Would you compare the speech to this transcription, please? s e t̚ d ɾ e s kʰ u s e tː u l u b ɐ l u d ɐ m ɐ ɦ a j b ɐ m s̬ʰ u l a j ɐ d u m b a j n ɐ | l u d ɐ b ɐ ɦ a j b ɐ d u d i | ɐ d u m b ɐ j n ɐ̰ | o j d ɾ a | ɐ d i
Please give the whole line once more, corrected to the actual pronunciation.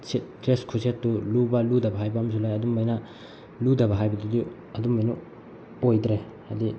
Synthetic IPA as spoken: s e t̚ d ɾ e s kʰ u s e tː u l u b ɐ l u d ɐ b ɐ ɦ a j b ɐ m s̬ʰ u l a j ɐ d u m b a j n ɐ | l u d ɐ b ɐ ɦ a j b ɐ d u d i | ɐ d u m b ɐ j n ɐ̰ | o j d ɾ e | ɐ d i